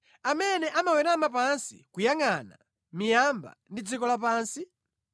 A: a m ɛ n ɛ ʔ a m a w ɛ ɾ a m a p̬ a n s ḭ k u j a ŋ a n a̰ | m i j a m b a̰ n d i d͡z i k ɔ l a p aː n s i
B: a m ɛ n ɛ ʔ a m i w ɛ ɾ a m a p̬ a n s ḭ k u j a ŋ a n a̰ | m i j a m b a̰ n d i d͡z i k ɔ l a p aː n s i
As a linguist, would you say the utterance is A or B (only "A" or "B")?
A